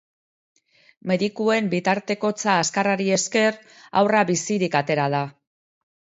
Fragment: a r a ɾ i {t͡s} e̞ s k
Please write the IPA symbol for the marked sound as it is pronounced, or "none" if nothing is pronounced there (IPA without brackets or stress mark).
none